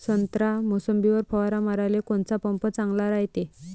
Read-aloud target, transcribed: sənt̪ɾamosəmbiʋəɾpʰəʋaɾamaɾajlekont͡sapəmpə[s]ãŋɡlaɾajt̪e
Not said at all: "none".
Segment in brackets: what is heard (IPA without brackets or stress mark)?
t͡s